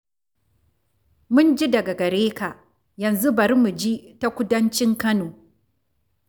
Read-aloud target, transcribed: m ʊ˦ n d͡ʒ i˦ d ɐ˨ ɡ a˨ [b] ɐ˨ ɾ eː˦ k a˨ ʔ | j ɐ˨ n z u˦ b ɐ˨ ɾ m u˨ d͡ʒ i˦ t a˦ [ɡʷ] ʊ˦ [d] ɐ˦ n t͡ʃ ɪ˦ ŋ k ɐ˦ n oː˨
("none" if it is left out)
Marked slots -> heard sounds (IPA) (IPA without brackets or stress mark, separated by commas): ɡ, kʷ, d